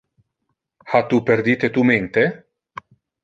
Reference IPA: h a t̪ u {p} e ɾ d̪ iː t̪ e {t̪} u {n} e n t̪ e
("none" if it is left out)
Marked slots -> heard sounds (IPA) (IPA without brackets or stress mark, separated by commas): p, t̪, m